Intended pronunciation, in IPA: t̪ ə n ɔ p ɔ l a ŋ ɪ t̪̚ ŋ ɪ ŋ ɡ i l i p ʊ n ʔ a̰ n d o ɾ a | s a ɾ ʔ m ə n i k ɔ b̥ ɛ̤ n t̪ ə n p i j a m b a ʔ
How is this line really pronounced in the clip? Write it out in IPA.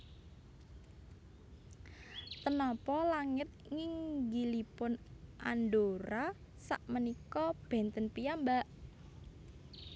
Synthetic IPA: t̪ ə n ɔ p ɔ l a ŋ ɪ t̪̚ ŋ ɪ ŋ ɡ i l i p ʊ n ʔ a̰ n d o ɾ a | s a ʔ m ə n i k ɔ b̥ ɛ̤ n t̪ ə n p i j a m b a ʔ